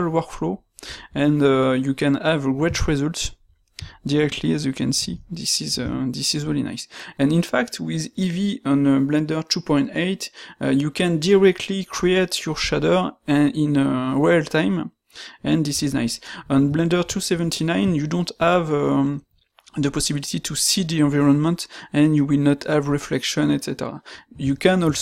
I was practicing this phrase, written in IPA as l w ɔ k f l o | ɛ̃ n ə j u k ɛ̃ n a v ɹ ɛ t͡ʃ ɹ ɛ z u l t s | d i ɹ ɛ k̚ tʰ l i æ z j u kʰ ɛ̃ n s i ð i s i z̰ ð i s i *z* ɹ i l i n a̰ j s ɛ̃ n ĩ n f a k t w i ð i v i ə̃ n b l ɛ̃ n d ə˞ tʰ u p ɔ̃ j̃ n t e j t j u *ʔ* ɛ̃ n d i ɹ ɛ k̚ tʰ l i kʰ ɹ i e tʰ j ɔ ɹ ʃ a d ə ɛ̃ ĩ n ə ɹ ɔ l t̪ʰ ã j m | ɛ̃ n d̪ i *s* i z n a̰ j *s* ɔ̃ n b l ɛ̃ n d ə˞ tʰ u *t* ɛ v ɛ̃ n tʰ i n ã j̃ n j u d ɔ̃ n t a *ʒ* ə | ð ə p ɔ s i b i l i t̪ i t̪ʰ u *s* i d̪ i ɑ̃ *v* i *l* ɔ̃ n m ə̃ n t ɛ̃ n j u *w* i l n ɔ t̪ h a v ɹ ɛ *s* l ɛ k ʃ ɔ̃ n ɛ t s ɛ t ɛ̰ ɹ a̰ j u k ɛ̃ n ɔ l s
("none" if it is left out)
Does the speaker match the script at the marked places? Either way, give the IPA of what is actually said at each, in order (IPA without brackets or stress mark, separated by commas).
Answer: z, k, s, s, s, v, s, v, ɹ, w, f